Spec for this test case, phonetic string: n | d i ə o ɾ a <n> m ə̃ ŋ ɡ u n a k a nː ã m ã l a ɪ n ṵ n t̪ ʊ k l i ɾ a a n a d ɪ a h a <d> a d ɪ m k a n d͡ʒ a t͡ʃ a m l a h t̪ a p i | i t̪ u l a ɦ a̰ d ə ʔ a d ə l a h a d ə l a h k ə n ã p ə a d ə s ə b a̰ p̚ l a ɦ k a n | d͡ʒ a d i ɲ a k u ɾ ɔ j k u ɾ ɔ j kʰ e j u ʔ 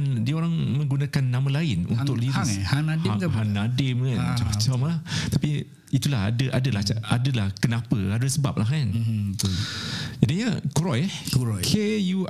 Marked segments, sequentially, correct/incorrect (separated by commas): incorrect, incorrect